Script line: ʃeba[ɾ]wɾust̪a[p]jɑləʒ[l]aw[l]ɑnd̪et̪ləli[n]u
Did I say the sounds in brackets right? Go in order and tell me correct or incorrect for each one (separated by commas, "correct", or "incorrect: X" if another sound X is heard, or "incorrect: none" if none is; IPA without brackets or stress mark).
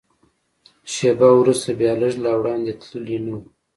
incorrect: none, incorrect: b, correct, incorrect: ɽ, correct